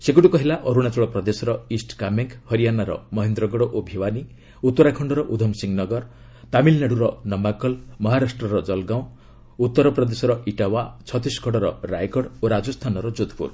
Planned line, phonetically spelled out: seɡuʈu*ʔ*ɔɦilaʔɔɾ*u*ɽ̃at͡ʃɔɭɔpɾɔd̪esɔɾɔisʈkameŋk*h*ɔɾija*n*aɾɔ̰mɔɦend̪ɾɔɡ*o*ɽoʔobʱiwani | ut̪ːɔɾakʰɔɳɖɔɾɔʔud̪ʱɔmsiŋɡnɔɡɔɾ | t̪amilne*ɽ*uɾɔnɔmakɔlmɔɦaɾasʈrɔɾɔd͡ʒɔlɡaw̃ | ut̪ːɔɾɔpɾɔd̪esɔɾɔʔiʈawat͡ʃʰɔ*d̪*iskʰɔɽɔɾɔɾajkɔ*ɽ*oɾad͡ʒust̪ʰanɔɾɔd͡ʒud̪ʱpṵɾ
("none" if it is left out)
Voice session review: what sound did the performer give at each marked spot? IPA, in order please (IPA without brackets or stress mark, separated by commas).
k, u, h, n, ɔ, ɽ, t̪, ɽ